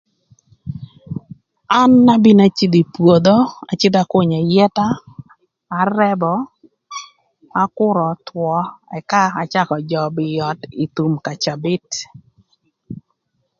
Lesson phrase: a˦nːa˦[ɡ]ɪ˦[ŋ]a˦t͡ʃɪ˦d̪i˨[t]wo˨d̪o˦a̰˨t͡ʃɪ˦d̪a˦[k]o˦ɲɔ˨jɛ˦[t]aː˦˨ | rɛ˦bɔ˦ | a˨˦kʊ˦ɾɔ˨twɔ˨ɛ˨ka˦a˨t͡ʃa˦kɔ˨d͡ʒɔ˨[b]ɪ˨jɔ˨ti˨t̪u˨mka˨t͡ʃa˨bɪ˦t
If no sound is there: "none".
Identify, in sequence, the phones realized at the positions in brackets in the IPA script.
b, n, p, k, t, b

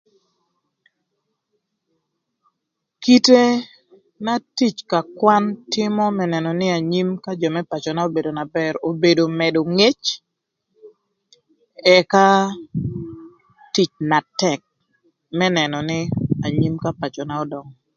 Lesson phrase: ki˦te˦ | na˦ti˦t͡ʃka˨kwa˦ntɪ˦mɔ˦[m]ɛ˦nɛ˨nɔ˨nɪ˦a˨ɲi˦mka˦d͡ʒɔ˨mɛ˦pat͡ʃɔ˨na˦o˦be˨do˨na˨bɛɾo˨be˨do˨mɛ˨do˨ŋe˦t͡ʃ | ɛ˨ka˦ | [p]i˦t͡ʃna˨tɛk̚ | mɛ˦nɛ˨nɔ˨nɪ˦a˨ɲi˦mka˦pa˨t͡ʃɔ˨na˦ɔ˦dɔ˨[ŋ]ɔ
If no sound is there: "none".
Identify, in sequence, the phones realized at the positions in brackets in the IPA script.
m, t, ŋ

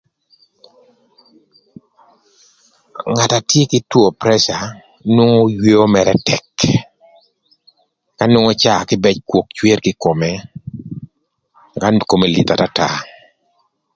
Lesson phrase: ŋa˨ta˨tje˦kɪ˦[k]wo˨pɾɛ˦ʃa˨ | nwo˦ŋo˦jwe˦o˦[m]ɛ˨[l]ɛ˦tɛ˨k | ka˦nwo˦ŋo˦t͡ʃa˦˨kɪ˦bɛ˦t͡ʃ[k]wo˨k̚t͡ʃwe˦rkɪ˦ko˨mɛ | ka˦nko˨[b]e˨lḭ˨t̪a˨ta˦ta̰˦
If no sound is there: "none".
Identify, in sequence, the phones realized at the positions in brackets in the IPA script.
t, m, ɾ, k, m

